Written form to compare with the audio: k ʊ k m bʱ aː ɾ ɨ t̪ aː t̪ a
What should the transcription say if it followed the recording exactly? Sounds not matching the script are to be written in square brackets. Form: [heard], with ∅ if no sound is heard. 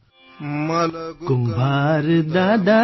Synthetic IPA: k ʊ [∅] m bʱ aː ɾ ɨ [d̪] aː [d̪] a